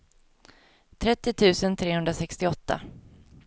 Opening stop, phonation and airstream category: aspirated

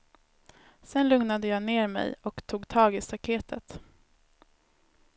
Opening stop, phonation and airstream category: plain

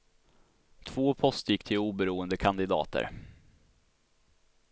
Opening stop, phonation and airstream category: aspirated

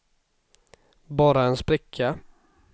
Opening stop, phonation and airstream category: plain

